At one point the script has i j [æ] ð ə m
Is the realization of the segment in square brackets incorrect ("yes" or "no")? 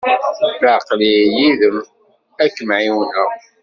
yes